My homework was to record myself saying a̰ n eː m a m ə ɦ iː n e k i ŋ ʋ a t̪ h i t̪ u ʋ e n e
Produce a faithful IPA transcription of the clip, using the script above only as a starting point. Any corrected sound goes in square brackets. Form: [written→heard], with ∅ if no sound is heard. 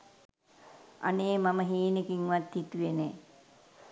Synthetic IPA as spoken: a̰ n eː m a m ə ɦ iː n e k i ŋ ʋ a t̪ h i t̪ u ʋ e n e